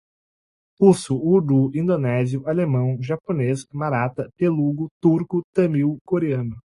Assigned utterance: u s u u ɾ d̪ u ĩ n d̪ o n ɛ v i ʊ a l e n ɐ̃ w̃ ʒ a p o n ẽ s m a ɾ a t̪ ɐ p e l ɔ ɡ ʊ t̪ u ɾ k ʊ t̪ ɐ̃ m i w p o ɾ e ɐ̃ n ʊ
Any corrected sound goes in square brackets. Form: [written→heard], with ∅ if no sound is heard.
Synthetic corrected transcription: u s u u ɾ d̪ u ĩ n d̪ o n ɛ [v→z] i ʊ a l e [n→m] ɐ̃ w̃ ʒ a p o n [ẽ→e] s m a ɾ a t̪ ɐ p e l [ɔ→u] ɡ ʊ t̪ u ɾ k ʊ t̪ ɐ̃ m i w [p→k] o ɾ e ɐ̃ n ʊ